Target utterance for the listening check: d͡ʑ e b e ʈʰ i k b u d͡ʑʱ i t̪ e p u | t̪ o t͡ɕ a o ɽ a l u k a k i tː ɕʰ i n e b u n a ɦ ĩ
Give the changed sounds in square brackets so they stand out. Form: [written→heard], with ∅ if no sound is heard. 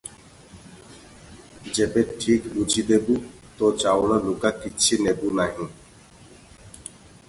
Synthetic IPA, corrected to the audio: d͡ʑ e b e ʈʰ i k b u d͡ʑʱ i [t̪→d̪] e [p→b] u | t̪ o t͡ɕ a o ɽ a l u k a k i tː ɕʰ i n e b u n a ɦ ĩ